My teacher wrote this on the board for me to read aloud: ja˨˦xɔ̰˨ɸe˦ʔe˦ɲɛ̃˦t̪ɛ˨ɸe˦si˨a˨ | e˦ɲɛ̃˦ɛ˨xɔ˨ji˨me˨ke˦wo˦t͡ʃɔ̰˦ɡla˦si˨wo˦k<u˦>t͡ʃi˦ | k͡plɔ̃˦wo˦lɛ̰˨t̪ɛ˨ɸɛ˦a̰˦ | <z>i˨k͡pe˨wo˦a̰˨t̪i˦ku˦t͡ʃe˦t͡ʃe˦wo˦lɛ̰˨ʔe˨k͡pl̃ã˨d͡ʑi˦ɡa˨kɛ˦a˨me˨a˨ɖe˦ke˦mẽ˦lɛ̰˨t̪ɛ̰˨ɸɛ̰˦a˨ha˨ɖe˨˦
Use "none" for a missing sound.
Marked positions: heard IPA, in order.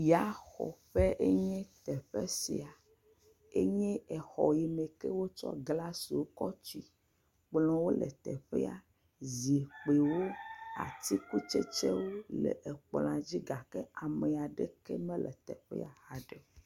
ɔ˦, z

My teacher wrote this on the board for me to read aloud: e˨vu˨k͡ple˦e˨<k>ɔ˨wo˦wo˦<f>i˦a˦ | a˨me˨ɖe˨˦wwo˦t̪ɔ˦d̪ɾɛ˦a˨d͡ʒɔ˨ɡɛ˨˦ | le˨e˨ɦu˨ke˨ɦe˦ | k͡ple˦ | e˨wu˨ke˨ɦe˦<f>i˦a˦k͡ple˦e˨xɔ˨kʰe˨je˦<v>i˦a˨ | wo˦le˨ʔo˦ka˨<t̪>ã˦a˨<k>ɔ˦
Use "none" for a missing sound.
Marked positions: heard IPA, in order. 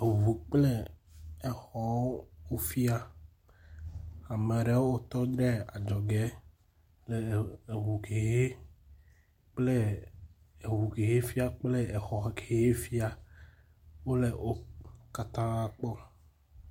x, f, f, f, t̪, k͡p

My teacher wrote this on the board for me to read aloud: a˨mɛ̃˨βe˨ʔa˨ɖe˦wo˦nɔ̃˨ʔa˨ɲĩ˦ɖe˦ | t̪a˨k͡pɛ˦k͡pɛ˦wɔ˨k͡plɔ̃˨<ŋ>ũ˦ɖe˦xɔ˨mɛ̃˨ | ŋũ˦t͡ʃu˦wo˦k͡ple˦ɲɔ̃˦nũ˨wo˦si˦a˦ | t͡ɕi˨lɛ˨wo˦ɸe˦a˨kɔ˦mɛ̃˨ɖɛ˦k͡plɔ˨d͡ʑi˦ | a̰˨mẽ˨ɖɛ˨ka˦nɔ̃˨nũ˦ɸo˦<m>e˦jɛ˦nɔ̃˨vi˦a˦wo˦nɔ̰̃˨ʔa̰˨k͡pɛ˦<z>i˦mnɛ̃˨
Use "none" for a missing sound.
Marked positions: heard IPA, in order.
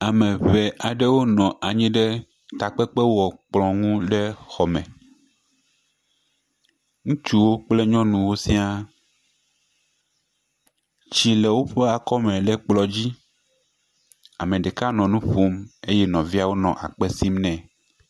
ŋ, m, s

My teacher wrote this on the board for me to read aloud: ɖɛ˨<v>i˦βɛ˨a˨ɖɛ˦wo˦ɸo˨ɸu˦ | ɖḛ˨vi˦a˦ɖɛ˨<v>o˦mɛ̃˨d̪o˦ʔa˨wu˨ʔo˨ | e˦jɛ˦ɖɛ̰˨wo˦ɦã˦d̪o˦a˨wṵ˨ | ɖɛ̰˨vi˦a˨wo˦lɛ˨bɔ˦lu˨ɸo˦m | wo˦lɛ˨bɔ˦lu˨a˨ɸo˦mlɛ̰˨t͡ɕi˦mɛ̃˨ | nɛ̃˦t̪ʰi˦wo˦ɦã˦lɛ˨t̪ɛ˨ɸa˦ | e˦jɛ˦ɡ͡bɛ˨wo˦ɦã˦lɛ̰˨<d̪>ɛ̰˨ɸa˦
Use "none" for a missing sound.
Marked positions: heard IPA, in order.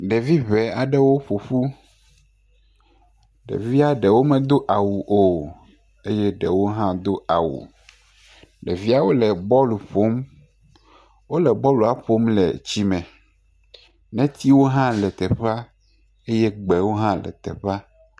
v, w, t̪

